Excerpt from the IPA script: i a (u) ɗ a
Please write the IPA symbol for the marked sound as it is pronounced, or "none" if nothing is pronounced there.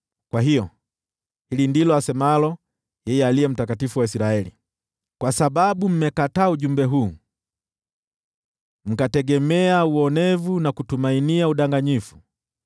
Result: u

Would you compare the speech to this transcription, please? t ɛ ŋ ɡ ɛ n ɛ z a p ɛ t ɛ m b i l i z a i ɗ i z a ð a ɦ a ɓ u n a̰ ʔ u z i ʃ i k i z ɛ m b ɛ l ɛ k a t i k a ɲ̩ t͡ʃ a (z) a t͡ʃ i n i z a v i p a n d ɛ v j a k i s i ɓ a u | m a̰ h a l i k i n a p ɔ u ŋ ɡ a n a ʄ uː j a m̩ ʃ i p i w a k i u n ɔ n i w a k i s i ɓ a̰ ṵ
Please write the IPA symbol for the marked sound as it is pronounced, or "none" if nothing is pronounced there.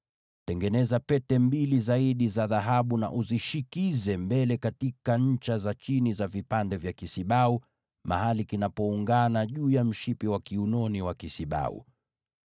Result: z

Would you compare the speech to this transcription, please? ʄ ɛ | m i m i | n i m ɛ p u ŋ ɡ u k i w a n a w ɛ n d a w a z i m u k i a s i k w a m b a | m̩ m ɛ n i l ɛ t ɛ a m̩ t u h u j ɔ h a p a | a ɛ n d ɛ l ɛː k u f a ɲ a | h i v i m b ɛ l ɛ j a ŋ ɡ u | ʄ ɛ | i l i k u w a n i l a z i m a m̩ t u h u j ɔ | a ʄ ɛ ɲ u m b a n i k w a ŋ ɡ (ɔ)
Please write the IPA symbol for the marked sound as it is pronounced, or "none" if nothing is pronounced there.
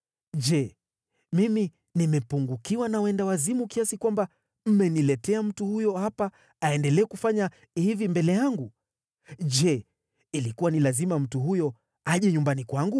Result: u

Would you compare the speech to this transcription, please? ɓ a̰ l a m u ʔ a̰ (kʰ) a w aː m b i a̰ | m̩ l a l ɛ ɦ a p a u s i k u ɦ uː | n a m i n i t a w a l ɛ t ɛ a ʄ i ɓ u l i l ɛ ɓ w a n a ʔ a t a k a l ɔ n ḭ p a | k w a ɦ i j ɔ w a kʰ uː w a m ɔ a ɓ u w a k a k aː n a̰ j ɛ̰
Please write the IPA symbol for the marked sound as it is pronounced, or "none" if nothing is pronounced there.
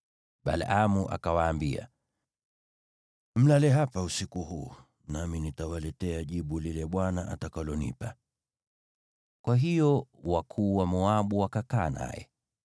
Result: k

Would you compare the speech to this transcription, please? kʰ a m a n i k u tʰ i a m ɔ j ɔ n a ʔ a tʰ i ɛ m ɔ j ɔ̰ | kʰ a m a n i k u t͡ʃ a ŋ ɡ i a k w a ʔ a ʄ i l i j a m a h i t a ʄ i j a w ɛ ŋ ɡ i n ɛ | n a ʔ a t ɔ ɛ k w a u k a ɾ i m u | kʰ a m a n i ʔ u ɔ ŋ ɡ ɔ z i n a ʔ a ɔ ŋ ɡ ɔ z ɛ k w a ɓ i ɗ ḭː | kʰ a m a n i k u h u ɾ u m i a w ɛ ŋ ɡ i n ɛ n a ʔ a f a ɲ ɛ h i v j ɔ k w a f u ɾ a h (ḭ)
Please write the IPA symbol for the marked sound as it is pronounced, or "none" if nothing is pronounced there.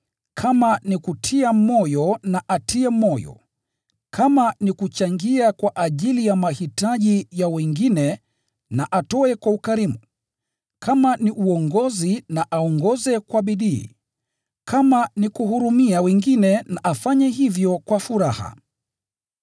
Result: a̰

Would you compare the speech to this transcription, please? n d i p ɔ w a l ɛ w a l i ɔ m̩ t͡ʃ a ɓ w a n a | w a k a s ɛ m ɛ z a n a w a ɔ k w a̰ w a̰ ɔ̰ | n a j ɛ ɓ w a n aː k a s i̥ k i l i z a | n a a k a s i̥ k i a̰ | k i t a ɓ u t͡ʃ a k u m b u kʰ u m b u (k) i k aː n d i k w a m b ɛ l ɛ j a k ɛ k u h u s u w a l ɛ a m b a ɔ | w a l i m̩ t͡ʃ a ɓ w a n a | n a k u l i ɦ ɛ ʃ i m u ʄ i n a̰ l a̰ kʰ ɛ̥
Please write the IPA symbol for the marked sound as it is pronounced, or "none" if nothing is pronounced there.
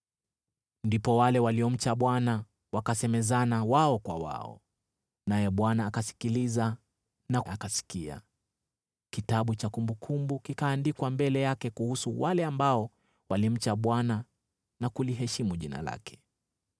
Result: k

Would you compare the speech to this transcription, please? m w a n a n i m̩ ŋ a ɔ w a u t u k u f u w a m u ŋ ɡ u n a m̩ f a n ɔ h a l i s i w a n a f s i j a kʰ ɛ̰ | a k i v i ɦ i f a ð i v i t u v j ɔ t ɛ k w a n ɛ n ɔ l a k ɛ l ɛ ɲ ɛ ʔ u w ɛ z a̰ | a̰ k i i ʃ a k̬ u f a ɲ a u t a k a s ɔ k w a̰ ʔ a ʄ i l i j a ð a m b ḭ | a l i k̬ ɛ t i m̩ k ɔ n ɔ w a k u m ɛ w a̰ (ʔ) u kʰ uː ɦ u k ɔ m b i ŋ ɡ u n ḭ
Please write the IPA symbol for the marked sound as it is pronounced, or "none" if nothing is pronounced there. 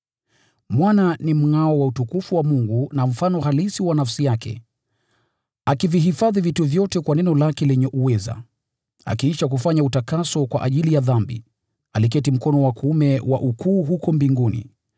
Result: ʔ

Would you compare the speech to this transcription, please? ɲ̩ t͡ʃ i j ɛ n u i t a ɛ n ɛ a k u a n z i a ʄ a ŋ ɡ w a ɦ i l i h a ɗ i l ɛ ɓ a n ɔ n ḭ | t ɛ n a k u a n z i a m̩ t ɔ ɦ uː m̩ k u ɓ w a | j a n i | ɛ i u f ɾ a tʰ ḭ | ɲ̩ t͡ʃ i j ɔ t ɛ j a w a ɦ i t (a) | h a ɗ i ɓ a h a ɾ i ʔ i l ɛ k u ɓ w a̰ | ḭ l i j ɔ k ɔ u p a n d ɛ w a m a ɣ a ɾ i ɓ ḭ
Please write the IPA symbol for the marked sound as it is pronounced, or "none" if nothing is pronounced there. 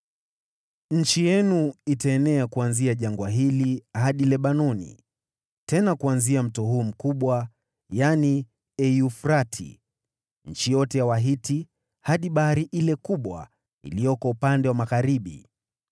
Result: i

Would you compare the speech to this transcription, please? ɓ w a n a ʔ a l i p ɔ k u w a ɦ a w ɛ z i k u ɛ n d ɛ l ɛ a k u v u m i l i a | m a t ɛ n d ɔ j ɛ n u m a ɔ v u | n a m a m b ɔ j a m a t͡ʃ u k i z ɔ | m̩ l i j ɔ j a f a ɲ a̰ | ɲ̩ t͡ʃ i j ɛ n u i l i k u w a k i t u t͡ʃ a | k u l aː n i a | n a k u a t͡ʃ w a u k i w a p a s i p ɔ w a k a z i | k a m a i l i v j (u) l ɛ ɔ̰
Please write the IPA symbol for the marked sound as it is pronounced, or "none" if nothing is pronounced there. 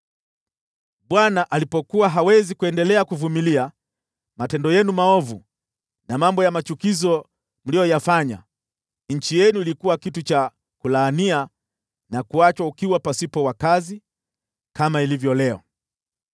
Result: ɔ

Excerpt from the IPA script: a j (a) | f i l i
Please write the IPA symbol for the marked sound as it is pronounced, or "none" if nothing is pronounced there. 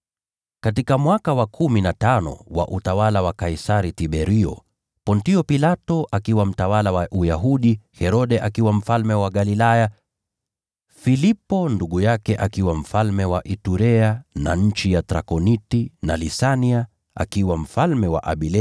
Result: a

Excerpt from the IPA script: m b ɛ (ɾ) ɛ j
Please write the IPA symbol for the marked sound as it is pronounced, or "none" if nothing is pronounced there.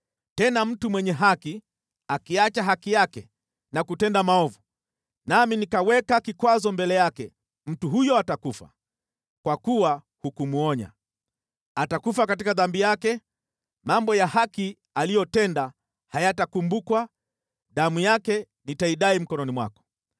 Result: l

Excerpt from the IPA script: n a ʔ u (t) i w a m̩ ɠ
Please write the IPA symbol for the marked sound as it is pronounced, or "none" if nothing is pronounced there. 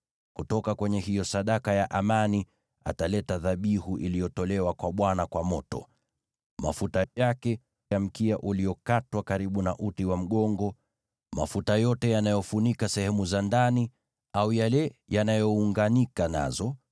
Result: t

